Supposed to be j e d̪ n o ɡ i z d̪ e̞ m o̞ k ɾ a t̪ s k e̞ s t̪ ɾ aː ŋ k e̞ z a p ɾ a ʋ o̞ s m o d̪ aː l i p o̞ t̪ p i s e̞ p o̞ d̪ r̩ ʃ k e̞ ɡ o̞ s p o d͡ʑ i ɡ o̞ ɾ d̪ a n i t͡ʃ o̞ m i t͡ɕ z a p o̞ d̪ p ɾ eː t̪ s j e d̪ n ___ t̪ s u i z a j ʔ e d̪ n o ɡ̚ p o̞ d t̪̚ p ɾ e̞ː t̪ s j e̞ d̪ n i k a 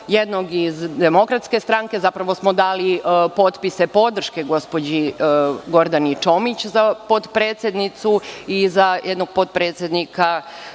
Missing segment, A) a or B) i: B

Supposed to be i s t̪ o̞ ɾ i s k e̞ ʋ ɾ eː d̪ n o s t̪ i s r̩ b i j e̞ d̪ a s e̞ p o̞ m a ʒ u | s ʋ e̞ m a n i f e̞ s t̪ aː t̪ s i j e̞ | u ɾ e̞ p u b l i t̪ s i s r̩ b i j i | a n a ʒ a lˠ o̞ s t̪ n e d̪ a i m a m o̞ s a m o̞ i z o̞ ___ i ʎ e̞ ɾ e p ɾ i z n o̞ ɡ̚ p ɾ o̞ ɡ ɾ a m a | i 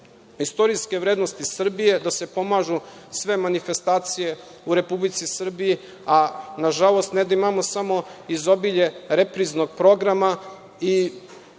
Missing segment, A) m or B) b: B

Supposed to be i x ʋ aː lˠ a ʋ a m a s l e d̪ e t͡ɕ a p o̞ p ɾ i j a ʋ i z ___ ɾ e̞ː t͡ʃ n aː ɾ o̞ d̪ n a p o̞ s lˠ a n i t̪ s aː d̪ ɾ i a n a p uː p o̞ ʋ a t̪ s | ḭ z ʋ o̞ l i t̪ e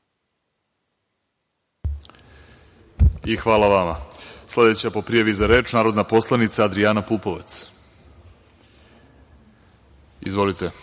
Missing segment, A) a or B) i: A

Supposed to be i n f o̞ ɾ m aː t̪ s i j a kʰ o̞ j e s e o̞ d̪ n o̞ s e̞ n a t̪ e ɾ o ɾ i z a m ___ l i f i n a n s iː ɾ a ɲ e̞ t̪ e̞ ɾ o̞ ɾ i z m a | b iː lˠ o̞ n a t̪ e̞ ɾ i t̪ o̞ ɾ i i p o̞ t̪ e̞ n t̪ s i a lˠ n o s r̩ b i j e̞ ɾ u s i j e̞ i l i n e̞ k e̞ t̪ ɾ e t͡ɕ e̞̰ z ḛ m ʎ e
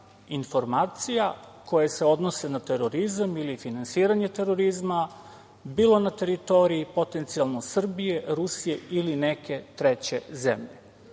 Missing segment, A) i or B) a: A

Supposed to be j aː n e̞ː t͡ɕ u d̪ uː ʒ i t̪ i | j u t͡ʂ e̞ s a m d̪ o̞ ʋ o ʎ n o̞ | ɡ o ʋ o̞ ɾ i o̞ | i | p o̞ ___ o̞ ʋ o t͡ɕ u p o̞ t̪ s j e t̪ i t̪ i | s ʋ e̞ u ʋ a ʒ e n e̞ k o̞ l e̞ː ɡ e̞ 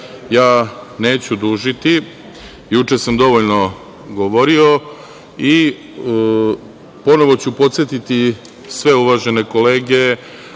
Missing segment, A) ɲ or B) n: B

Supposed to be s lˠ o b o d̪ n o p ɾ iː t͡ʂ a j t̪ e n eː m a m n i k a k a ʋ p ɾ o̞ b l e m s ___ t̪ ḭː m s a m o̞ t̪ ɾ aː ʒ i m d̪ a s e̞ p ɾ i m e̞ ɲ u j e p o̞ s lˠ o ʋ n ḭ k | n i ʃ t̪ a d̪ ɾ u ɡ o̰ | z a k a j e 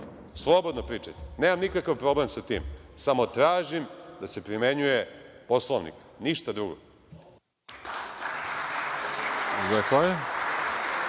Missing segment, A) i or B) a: B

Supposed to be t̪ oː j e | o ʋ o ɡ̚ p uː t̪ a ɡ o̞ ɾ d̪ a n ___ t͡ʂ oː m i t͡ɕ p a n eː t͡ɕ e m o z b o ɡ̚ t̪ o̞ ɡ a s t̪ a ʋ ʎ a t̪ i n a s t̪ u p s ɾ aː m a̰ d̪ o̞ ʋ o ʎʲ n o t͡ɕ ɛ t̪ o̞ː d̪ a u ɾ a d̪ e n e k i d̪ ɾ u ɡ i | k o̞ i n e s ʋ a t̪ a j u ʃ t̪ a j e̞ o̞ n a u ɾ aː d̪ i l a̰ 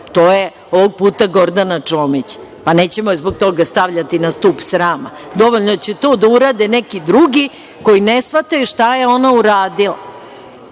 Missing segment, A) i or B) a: B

